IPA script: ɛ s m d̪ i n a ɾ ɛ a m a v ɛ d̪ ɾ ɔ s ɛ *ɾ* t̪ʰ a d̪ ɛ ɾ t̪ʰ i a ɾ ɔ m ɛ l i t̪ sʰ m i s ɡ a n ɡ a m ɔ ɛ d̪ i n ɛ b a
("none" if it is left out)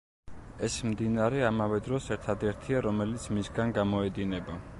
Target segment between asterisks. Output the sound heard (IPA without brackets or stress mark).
ɾ